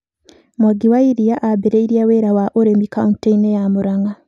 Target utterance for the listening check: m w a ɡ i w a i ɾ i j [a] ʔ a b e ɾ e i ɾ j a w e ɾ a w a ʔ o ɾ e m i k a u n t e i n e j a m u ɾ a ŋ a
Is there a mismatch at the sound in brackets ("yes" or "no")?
no